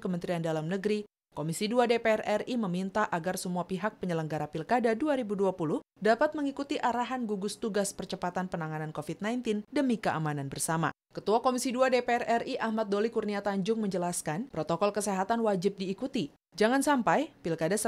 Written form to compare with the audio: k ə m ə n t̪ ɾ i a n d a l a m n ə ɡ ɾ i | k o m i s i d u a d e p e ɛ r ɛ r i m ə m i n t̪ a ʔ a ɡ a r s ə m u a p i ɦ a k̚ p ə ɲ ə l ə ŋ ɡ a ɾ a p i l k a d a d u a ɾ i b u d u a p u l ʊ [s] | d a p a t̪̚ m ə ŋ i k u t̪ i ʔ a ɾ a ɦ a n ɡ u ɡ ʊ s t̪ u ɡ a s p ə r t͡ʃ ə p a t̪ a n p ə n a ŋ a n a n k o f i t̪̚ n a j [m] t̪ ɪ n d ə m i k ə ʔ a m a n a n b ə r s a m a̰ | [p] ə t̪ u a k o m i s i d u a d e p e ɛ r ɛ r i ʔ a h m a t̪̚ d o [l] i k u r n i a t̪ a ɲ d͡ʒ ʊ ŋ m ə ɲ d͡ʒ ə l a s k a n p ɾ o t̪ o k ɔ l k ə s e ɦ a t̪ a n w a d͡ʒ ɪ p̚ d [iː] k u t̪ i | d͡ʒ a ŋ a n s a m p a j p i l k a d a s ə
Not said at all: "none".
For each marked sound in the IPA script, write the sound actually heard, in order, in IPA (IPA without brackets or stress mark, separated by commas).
h, n, k, l, iː